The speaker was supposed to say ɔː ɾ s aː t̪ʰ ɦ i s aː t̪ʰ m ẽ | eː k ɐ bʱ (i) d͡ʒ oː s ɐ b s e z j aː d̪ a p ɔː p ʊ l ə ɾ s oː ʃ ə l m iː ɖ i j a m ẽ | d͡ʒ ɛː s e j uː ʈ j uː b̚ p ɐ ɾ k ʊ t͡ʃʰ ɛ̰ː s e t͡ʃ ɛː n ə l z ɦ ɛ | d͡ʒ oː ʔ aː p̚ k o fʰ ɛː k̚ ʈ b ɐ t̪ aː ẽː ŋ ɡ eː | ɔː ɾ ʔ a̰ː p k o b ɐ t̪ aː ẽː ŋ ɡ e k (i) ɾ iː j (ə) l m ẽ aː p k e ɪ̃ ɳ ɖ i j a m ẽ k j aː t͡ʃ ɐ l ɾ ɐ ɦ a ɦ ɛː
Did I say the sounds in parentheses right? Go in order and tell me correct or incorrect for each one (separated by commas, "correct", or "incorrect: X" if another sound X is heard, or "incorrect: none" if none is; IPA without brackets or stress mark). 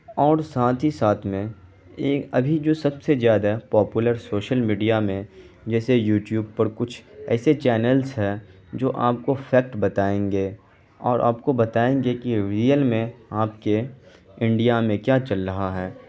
correct, correct, correct